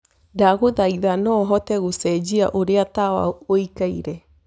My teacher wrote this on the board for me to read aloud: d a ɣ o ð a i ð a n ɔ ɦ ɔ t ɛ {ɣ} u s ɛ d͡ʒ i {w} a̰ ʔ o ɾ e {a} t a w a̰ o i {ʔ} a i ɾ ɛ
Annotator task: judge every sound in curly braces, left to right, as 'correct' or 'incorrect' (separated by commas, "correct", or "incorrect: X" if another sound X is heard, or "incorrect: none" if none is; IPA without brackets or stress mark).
correct, incorrect: none, correct, incorrect: k